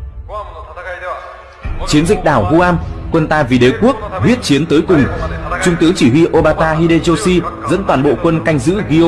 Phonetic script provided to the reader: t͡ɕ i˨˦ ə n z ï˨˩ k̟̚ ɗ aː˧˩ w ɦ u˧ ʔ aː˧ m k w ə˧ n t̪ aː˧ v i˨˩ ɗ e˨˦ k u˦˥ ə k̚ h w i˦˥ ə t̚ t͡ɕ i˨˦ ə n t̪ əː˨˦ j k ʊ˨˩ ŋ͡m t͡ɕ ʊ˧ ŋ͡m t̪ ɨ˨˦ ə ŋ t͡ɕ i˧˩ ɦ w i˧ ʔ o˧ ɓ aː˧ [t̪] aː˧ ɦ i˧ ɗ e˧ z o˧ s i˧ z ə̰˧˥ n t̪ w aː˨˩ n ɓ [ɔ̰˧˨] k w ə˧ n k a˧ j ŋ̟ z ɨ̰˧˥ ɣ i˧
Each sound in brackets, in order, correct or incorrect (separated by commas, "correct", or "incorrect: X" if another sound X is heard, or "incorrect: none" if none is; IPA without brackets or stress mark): correct, incorrect: o̰˧˨